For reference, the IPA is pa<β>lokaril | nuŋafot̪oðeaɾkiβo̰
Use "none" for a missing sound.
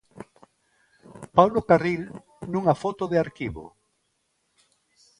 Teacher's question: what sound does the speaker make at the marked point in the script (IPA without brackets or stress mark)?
w